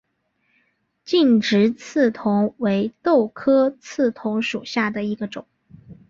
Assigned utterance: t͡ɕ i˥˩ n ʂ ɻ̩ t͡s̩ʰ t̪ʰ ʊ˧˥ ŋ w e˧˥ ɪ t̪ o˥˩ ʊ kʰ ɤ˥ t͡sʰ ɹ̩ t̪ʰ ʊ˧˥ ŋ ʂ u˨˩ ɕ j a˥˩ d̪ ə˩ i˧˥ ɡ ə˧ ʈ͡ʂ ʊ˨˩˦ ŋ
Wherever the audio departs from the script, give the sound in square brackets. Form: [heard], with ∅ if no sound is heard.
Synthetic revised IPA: t͡ɕ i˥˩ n [ʈ͡ʂ] ɻ̩ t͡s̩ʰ t̪ʰ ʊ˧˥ ŋ w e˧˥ ɪ t̪ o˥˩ ʊ kʰ ɤ˥ t͡sʰ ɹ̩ t̪ʰ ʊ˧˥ ŋ ʂ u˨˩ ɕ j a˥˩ d̪ ə˩ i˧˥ ɡ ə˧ ʈ͡ʂ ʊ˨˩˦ ŋ